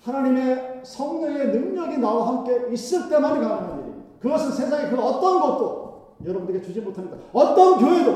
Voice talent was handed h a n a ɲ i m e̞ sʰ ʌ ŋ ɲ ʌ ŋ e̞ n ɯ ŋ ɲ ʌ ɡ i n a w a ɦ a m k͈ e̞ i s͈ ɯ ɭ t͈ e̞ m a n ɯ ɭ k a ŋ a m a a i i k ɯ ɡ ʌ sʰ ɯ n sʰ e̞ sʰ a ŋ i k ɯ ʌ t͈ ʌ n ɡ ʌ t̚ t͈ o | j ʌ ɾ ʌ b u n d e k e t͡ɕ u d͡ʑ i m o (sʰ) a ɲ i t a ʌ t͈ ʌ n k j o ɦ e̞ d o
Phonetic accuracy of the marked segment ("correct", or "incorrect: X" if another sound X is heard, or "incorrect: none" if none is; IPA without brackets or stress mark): incorrect: tʰ